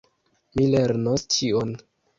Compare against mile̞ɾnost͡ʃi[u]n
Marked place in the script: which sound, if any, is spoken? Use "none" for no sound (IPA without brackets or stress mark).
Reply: o